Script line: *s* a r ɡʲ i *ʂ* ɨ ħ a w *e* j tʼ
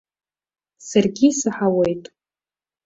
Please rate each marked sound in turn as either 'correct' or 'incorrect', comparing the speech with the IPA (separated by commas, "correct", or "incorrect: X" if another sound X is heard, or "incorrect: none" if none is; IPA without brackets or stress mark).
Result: correct, incorrect: s, correct